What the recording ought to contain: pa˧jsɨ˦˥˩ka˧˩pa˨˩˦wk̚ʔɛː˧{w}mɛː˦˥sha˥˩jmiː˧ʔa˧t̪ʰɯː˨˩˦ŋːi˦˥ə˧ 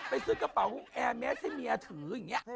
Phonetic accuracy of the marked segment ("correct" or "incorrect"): incorrect